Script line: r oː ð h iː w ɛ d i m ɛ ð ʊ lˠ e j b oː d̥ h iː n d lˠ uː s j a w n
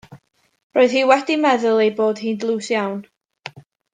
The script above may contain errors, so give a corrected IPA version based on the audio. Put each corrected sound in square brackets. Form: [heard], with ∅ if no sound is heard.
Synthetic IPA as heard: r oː ð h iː w ɛ d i m ɛ ð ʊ lˠ e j b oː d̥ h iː n d lˠ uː s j a w n